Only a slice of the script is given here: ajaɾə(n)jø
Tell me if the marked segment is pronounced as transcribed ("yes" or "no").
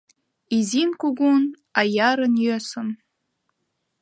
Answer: yes